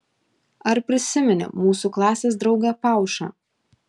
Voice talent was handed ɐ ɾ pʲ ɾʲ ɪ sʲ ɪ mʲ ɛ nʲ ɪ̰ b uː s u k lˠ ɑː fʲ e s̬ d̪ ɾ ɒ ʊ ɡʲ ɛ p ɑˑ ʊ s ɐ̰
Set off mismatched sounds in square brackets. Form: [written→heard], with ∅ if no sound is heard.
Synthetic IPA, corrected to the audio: ɐ ɾ pʲ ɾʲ ɪ sʲ ɪ mʲ ɛ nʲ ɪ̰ [b→m] uː s u k lˠ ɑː [fʲ→sʲ] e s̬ d̪ ɾ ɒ ʊ ɡʲ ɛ p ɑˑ ʊ [s→ʃ] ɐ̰